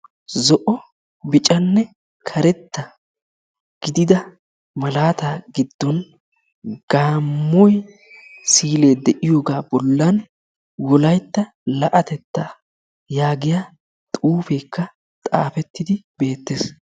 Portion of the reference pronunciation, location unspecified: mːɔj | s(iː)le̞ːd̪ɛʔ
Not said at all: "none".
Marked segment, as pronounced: iː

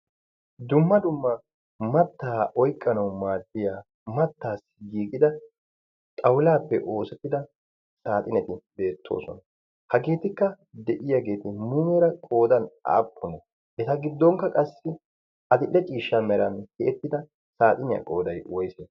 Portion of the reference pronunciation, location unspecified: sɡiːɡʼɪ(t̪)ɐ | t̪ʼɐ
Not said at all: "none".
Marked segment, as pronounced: d̪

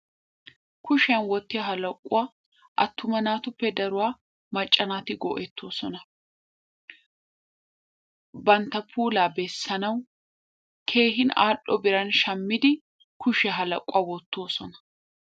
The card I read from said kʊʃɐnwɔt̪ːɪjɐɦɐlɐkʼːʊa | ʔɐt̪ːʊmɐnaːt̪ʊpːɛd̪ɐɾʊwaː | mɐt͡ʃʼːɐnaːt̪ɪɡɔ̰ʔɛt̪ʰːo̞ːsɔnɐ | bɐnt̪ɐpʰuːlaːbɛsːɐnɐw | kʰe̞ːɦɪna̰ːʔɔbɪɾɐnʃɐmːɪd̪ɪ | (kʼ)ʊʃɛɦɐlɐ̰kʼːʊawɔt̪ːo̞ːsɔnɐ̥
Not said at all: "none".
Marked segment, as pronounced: k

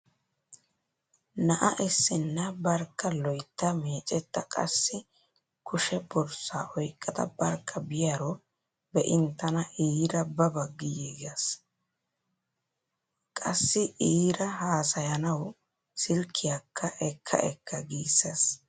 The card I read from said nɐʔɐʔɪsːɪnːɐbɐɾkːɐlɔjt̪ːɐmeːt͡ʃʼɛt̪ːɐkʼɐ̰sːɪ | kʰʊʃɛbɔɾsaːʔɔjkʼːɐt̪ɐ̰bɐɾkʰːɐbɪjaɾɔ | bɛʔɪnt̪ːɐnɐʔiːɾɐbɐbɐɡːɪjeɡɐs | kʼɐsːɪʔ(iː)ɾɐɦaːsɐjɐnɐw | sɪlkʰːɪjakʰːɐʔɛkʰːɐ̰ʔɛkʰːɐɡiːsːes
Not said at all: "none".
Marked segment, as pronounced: iː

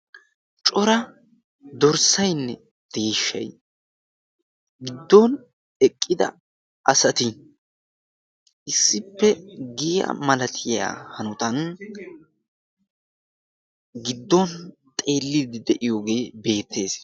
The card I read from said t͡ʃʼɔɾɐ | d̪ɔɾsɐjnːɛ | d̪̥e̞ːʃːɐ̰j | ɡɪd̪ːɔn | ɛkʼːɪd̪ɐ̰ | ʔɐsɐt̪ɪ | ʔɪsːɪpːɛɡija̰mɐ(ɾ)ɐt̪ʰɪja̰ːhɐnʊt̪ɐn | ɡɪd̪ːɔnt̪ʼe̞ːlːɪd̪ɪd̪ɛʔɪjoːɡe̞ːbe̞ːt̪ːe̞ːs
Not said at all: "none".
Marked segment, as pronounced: l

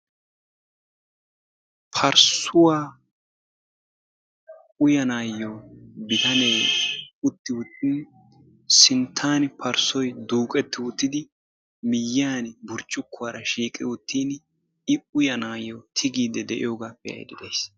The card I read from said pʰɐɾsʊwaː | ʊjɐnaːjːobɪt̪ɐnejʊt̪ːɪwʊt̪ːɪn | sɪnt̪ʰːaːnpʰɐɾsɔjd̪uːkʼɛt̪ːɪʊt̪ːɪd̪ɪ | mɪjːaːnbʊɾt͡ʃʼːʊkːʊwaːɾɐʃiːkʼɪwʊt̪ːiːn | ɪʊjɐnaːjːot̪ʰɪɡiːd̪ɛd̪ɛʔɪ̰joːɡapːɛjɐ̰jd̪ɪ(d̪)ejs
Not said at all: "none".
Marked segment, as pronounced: d̪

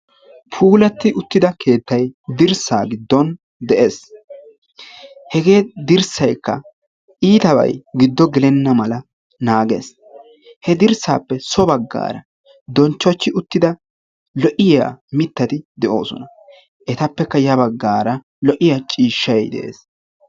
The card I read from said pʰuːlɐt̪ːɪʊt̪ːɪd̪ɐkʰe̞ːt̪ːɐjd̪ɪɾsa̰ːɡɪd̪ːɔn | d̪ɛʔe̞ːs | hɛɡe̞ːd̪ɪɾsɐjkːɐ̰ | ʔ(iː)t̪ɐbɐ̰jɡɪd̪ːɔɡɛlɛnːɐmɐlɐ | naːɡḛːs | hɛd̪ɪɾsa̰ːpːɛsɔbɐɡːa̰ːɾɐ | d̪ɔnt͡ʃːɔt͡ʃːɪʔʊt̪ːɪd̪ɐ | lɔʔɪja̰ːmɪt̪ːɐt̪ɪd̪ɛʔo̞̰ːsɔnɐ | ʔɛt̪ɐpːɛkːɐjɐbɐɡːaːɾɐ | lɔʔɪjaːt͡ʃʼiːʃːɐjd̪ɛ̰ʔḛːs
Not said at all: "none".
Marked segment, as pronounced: iː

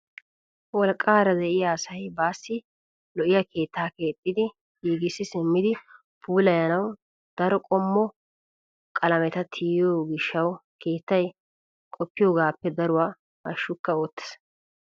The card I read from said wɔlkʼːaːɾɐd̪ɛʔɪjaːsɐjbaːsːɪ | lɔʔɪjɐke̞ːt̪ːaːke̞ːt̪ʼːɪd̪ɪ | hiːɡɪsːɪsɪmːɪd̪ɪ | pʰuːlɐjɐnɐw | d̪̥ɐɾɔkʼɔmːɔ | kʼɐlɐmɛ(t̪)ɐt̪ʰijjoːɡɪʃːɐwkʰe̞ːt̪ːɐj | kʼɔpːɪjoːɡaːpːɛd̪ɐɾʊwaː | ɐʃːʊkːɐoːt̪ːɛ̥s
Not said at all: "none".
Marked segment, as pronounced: t̪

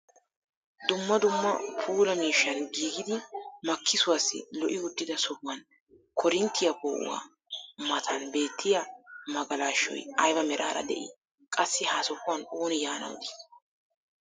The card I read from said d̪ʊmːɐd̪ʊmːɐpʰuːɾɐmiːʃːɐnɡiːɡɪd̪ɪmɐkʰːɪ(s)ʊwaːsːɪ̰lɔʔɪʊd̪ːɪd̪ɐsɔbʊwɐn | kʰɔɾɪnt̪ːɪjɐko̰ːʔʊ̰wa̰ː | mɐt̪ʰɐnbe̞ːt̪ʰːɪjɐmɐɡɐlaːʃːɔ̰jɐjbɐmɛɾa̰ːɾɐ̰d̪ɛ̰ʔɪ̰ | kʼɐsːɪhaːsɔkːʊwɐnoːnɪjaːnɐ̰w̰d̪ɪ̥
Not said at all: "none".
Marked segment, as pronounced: s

